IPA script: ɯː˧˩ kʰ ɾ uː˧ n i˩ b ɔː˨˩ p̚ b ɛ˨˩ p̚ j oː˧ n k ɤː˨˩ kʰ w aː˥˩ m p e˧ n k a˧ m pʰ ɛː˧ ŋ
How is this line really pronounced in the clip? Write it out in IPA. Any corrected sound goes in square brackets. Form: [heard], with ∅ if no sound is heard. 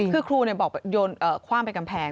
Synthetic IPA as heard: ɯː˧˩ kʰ ɾ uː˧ n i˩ b ɔː˨˩ [k̚] b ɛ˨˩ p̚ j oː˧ n [ʔ] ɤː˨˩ kʰ w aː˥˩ m p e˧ n k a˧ m pʰ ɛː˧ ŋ